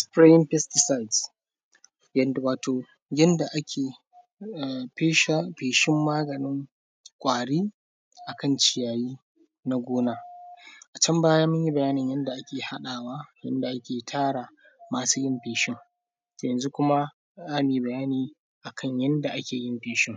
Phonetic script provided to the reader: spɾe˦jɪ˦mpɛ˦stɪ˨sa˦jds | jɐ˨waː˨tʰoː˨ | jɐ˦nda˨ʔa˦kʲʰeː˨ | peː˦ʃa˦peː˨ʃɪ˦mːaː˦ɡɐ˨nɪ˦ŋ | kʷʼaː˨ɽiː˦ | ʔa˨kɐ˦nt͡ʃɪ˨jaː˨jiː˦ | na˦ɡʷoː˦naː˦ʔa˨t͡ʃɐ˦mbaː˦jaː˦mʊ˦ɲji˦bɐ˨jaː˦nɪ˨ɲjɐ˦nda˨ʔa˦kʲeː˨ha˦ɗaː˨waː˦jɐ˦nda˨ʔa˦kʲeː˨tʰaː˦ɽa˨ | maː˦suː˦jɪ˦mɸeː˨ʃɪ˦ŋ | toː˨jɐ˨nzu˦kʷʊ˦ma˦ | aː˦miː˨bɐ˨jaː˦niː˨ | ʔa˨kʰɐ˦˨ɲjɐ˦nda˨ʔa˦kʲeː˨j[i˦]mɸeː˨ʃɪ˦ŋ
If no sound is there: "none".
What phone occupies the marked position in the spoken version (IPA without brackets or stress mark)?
ɪ˦